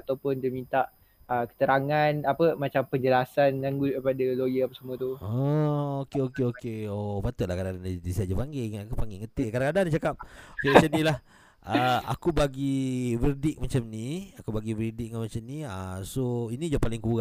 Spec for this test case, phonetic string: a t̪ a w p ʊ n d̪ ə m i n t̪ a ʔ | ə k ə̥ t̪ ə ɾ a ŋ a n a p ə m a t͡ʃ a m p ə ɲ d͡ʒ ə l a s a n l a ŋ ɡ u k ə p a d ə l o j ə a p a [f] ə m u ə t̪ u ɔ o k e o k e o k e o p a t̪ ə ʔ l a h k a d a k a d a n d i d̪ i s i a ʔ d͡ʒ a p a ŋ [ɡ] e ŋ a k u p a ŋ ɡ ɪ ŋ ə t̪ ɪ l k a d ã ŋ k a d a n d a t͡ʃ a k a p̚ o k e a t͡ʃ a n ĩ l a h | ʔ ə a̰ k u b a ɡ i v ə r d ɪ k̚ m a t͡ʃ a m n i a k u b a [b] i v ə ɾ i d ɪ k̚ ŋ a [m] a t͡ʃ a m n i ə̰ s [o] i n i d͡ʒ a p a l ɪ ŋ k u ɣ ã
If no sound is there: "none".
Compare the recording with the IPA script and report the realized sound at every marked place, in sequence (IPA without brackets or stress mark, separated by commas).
s, ɡ, ɡ, m, o